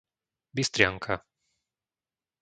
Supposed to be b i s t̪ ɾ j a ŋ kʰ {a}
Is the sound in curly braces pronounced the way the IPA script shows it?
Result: yes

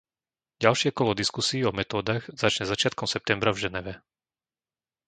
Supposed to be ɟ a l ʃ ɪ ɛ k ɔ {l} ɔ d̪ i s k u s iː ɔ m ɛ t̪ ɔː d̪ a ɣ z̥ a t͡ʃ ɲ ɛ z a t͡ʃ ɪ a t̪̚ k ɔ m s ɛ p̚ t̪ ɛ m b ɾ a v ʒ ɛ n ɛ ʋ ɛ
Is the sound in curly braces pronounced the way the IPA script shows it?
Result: yes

